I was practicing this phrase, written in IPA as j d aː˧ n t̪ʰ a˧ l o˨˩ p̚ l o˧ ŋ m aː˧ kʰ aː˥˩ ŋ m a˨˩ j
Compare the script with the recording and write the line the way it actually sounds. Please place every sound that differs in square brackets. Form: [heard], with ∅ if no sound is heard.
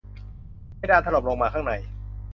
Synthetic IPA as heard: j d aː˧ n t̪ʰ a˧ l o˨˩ p̚ l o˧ ŋ m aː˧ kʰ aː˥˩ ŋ [n] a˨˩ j